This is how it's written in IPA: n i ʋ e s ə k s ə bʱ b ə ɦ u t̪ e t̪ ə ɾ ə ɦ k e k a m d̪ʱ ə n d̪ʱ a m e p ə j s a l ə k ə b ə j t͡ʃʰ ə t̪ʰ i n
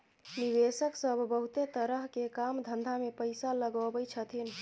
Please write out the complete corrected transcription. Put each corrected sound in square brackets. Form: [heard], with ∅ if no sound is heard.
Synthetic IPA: n i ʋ e s ə k s ə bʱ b ə ɦ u t̪ e t̪ ə ɾ ə ɦ k e k a m d̪ʱ ə n d̪ʱ a m e p ə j s a l ə [ɡ] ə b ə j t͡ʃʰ ə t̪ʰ i n